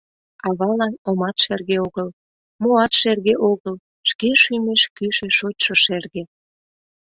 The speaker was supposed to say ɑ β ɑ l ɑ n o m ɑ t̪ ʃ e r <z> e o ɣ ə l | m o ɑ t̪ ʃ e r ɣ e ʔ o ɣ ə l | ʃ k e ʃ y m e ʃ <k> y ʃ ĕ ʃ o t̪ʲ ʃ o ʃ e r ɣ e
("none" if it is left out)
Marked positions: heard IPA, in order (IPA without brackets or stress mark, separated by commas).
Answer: ɣ, k